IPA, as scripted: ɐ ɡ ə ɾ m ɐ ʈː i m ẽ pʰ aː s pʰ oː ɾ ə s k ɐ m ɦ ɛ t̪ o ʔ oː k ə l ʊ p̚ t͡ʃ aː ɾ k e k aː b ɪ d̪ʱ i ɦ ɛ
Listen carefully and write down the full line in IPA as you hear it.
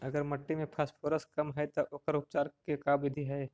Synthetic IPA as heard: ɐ ɡ ə ɾ m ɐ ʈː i m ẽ pʰ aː s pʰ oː ɾ ə s k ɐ m ɦ ɛ t̪ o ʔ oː k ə ɾ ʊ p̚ t͡ʃ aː ɾ k e k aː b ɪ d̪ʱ i ɦ ɛ